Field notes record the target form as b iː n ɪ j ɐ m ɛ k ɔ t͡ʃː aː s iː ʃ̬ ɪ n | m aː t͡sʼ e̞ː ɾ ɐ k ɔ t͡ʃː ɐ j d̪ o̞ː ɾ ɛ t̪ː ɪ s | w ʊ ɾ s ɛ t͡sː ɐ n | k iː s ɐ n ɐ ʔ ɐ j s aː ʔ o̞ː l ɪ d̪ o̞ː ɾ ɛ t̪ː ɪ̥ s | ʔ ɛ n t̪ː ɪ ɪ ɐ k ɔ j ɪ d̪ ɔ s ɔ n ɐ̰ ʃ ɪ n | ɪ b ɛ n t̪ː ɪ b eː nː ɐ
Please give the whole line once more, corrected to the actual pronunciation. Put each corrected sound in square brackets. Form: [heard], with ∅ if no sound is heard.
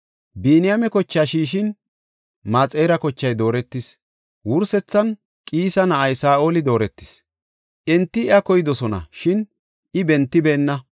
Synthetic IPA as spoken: b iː n ɪ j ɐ m ɛ k ɔ t͡ʃː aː [ʃ] iː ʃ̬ ɪ n | m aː t͡sʼ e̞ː ɾ ɐ k ɔ t͡ʃː ɐ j d̪ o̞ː ɾ ɛ t̪ː ɪ s | w ʊ ɾ s ɛ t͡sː ɐ n | [kʼ] iː s ɐ n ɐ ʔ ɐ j s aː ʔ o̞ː l ɪ d̪ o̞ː ɾ ɛ t̪ː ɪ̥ s | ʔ ɛ n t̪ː ɪ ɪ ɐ k ɔ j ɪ d̪ ɔ s ɔ n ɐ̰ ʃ ɪ n | ɪ b ɛ n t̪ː ɪ b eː nː ɐ